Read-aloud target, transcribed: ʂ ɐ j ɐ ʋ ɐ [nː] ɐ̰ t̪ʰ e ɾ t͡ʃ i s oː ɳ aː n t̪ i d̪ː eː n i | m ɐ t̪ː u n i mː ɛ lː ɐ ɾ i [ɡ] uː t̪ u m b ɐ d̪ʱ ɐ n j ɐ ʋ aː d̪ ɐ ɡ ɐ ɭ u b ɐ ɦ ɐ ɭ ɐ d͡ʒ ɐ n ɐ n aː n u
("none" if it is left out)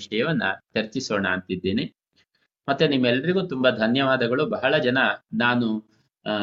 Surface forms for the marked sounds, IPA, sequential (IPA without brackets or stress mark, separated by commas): nː, ɡ